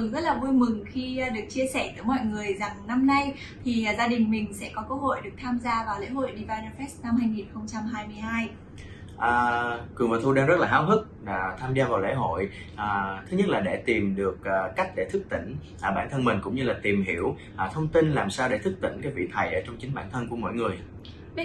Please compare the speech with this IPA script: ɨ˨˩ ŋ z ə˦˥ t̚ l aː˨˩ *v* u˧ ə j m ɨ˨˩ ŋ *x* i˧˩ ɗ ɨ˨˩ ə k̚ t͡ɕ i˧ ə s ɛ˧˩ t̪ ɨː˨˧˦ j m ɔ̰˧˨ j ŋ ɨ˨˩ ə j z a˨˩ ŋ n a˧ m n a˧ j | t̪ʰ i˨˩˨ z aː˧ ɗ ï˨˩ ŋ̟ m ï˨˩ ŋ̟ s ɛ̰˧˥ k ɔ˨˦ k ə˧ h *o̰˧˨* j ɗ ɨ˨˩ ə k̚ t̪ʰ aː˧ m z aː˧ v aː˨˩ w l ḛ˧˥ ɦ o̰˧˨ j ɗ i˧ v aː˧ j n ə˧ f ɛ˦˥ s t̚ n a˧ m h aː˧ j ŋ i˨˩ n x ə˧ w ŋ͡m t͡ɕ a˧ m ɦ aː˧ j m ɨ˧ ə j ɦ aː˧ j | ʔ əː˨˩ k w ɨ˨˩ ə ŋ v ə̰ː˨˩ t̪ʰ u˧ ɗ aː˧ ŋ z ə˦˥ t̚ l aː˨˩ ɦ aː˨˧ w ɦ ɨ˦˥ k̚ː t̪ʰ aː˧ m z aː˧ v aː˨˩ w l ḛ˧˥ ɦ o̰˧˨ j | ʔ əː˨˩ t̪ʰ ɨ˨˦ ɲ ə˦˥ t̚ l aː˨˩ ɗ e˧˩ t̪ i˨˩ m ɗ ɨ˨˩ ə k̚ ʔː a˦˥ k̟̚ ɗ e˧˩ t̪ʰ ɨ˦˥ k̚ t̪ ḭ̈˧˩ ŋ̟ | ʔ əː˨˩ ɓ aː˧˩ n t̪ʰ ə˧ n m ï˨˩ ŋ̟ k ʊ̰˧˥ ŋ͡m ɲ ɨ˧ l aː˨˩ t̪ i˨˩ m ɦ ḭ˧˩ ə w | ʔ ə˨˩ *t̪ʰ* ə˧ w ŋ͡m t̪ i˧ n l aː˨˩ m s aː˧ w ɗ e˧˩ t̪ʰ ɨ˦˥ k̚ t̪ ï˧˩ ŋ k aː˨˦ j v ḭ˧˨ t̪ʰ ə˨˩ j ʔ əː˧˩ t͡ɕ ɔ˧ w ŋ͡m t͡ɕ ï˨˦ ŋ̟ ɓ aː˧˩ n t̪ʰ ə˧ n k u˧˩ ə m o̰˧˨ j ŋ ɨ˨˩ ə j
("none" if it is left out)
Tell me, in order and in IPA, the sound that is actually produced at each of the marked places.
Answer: v, x, o̰˧˨, t̪ʰ

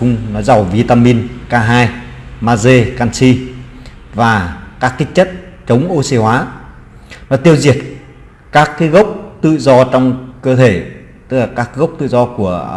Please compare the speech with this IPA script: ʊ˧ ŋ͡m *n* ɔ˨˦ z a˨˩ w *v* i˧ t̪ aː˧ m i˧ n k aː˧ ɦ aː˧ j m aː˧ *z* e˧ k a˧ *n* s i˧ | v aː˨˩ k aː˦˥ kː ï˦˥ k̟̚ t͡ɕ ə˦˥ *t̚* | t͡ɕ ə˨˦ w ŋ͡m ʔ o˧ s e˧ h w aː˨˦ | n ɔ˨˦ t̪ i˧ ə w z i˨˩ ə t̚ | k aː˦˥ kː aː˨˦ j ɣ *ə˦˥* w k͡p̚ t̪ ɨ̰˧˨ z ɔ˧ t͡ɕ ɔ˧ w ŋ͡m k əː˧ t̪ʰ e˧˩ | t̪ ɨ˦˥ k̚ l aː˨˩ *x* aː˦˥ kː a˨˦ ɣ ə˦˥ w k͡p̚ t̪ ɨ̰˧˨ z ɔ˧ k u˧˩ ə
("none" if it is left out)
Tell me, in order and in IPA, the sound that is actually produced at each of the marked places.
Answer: n, v, z, n, t̚, ə˦˥, k

